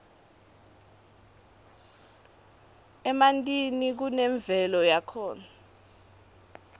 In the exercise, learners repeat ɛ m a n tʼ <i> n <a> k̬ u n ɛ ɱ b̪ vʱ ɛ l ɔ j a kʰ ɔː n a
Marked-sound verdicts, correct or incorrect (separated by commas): correct, incorrect